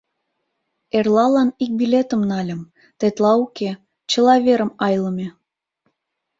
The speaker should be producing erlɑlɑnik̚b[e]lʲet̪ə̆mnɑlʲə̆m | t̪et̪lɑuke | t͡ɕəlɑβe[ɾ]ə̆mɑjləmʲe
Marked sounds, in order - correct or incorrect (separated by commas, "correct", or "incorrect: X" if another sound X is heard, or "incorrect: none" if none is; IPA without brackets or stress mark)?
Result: incorrect: i, correct